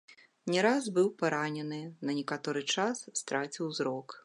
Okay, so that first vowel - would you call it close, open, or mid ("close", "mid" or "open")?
mid